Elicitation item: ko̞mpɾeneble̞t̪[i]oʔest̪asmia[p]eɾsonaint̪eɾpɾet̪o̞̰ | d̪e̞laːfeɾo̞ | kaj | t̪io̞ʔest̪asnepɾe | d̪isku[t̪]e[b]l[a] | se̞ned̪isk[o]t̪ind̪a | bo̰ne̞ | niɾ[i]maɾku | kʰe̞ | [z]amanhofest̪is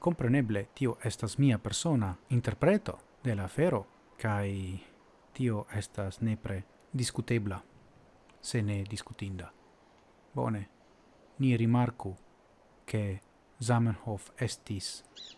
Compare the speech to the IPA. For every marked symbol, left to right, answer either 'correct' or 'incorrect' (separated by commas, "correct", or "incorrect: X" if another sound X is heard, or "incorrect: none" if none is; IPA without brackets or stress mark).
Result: correct, correct, correct, correct, correct, incorrect: u, correct, correct